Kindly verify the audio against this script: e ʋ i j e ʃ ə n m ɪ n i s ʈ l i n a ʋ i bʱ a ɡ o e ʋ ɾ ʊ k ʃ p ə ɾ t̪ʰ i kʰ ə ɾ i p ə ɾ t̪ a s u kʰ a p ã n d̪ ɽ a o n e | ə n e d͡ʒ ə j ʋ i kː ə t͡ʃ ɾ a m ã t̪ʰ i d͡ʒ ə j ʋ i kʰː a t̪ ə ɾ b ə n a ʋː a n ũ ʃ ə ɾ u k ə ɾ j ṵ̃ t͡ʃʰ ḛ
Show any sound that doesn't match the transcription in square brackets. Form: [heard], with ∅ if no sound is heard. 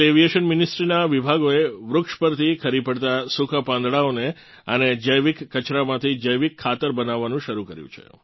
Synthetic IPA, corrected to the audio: e ʋ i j e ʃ ə n m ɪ n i s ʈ [ɾ] i n a ʋ i bʱ a ɡ o e ʋ ɾ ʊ k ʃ p ə ɾ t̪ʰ i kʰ ə ɾ i p ə [ɽ] t̪ a s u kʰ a p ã n d̪ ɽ a o n e | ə n e d͡ʒ ə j ʋ i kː ə t͡ʃ ɾ a m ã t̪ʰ i d͡ʒ ə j ʋ i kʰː a t̪ ə ɾ b ə n a ʋː a n ũ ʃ ə ɾ u k ə ɾ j ṵ̃ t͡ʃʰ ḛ